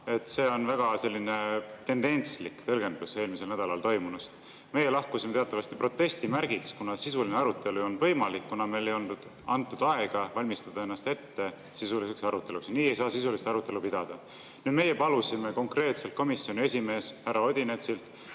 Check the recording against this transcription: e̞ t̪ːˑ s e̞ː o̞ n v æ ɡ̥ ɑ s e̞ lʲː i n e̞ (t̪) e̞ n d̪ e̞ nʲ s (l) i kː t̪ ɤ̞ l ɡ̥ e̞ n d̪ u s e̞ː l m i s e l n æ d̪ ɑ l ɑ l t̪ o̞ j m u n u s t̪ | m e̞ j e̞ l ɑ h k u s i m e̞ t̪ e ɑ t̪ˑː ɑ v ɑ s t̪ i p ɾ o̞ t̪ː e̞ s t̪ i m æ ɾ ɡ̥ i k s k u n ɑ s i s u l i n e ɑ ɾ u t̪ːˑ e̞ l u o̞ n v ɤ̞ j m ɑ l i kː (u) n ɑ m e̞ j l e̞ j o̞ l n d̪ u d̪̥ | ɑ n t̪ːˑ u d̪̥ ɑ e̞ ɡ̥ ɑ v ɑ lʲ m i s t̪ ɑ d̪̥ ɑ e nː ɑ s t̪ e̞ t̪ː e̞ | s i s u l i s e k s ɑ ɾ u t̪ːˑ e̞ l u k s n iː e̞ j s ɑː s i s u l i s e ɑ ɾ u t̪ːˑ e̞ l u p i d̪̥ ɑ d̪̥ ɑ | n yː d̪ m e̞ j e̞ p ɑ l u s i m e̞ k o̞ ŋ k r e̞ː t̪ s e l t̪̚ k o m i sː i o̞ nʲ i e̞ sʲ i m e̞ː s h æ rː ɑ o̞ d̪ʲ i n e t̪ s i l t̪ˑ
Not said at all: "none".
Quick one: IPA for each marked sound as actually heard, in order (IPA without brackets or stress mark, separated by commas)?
t̪, l, u